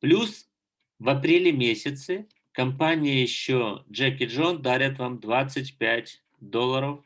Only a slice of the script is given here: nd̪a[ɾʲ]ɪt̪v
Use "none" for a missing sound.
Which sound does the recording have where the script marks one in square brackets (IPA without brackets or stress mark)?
ɾʲ